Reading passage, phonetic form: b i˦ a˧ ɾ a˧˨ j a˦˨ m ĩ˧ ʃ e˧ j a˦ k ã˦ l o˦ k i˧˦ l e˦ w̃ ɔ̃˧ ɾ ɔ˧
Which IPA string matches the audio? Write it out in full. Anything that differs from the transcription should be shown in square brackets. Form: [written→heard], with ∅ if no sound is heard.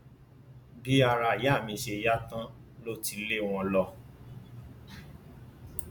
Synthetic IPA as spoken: b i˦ a˧ ɾ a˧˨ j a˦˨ m ĩ˧ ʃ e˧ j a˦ [k→t] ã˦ l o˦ [k→t] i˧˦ l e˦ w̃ ɔ̃˧ [ɾ→l] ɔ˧